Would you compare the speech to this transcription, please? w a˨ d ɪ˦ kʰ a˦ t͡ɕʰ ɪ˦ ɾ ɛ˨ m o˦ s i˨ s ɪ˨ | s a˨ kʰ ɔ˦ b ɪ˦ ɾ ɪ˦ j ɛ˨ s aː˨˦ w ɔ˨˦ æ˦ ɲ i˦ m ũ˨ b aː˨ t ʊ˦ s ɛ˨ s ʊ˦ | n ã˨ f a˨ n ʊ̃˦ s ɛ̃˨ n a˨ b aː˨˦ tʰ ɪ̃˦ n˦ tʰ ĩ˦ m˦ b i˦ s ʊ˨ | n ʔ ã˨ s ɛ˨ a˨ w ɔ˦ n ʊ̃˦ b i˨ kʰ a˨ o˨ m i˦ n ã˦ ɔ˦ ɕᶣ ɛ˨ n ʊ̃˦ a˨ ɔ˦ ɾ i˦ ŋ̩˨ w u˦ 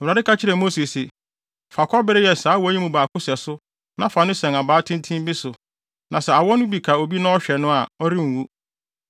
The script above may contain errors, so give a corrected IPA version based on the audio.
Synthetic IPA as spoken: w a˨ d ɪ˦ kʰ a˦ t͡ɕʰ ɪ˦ ɾ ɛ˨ m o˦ s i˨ s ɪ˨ | f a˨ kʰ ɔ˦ b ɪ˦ ɾ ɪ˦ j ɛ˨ s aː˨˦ w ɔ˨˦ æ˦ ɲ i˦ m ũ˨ b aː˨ k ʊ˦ s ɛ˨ s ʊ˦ | n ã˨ f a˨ n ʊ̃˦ s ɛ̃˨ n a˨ b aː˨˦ tʰ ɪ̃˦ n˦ tʰ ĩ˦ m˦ b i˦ s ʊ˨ | n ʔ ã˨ s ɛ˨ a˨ w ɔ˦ n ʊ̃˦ b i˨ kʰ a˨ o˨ b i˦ n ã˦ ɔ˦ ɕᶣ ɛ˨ n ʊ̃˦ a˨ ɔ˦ ɾ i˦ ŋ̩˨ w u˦